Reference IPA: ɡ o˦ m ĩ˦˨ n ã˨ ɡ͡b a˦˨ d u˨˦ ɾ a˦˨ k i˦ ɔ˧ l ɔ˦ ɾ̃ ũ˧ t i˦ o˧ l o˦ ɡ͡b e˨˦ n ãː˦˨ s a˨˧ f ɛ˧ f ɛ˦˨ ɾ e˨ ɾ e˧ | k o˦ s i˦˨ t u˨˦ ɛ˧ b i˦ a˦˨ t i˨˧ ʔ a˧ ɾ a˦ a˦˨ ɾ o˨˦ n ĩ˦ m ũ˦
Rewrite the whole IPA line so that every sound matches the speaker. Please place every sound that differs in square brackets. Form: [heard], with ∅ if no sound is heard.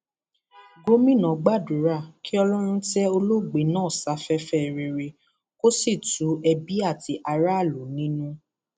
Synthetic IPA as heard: ɡ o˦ m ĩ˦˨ n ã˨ ɡ͡b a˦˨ d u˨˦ ɾ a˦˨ k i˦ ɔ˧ l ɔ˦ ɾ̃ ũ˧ t [ɛ˦] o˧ l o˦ ɡ͡b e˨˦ n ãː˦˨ s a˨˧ f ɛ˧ f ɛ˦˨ ɾ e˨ ɾ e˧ | k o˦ s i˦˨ t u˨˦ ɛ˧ b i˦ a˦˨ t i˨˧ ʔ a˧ ɾ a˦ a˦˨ [l] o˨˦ n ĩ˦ [n] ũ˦